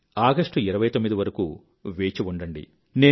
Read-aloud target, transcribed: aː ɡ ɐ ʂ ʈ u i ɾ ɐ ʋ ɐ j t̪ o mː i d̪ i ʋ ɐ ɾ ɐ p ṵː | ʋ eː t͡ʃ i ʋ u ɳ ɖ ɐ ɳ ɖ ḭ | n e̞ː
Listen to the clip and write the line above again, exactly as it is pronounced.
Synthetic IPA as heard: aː ɡ ɐ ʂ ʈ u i ɾ ɐ ʋ ɐ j t̪ o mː i d̪ i ʋ ɐ ɾ ɐ k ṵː | ʋ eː t͡ʃ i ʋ u ɳ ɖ ɐ ɳ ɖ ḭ | n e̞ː